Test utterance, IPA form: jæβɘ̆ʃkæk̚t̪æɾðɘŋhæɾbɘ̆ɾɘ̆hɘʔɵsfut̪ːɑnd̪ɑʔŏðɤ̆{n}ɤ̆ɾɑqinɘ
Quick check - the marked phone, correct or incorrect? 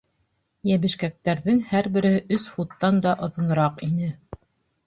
correct